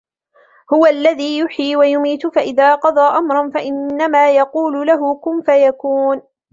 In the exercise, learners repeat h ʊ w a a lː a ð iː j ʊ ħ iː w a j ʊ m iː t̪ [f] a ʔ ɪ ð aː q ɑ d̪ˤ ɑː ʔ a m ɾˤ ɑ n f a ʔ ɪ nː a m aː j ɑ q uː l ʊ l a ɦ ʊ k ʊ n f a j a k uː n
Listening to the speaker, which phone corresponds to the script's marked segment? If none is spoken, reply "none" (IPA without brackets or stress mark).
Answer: f